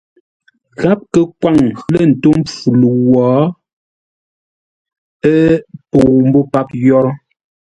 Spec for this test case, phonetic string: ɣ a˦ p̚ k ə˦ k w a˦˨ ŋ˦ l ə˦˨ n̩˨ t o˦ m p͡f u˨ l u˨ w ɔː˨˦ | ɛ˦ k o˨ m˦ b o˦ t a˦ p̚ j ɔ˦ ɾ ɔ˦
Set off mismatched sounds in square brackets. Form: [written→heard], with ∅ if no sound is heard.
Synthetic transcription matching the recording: ɣ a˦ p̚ k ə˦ k w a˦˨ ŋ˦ l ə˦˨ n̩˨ t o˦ m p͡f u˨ l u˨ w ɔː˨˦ | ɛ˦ [k→p] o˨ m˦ b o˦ [t→p] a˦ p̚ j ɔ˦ ɾ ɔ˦